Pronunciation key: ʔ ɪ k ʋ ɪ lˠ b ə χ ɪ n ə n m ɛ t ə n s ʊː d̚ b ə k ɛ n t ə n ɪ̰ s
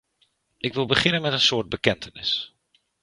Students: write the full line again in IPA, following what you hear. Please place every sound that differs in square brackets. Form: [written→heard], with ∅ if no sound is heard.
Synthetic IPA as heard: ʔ ɪ k ʋ ɪ lˠ b ə χ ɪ n ə n m ɛ t ə n s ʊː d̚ b ə k ɛ n t ə n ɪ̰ s